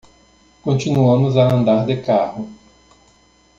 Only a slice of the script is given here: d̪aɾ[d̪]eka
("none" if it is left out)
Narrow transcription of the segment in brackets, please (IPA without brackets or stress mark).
d̪